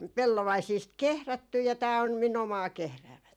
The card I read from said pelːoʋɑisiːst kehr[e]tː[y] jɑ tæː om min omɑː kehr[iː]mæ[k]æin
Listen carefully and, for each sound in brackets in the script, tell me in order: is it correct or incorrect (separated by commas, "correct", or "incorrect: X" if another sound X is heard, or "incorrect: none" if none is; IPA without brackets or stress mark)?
incorrect: æ, correct, incorrect: æː, incorrect: t